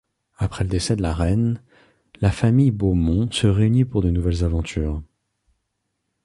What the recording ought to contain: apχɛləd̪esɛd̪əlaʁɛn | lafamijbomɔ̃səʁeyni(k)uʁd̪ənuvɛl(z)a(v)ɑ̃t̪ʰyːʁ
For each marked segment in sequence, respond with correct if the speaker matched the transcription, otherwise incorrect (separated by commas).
incorrect, correct, correct